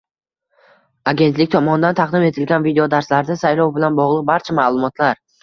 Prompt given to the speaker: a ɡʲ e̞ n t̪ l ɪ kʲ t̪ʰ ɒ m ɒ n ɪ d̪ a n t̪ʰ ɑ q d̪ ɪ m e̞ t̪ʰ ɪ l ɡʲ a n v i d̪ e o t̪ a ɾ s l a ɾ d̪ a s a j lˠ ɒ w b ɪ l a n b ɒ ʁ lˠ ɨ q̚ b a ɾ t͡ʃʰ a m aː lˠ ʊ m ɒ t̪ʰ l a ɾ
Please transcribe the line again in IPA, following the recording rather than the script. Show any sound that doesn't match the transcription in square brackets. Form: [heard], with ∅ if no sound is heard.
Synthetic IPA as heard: a ɡʲ e̞ n t̪ l ɪ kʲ t̪ʰ ɒ m ɒ n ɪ d̪ a n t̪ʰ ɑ q d̪ ɪ m e̞ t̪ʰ ɪ l ɡʲ a n v i d̪ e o [d̪] a ɾ s l a ɾ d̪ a s a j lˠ ɒ w b ɪ l a n b ɒ ʁ lˠ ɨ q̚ b a ɾ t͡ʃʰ a m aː lˠ ʊ m ɒ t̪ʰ l a ɾ